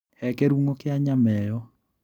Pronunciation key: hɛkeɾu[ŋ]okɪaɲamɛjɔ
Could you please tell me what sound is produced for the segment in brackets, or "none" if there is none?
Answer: ŋ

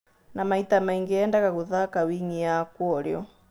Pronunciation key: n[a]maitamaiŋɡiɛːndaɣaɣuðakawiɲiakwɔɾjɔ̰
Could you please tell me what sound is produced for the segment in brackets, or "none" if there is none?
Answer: a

